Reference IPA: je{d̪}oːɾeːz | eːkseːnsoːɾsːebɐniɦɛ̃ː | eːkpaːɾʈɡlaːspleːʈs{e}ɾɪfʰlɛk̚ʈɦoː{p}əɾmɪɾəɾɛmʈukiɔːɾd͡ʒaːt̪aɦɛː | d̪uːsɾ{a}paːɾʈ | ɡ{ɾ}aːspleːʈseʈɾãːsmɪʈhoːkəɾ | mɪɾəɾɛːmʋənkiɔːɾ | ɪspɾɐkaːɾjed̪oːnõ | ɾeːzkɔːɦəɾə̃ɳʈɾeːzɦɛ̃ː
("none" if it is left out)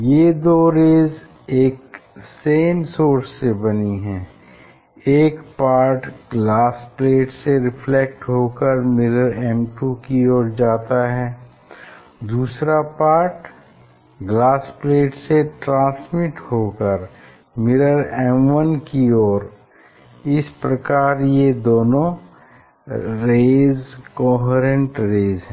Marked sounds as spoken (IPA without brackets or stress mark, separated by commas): d̪, e, k, a, l